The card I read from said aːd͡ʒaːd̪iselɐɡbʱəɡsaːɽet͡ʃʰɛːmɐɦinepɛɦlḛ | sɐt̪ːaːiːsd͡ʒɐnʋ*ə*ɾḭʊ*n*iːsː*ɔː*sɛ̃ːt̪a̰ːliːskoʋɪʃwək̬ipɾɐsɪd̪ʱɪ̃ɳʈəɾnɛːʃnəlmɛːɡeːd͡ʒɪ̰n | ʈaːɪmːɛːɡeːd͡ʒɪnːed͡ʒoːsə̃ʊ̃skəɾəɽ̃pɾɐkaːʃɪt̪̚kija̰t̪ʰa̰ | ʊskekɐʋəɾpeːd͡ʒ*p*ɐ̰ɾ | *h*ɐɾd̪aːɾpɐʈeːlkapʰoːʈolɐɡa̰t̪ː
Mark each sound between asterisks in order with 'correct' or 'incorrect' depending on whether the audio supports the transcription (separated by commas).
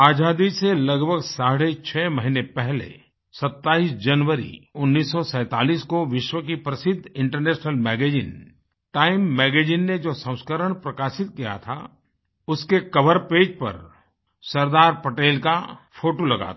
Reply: correct, incorrect, incorrect, correct, incorrect